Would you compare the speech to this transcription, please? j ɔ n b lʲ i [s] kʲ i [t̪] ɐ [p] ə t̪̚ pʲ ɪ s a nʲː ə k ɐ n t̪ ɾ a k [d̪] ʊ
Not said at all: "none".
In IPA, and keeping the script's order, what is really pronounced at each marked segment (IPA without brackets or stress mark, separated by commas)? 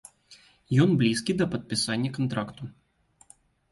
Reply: s, d̪, p, t̪